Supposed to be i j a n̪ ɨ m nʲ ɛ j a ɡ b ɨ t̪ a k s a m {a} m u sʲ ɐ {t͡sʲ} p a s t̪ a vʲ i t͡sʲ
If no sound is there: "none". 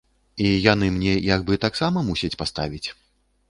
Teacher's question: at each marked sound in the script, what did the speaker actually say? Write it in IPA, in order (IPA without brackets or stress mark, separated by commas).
ɐ, t͡sʲ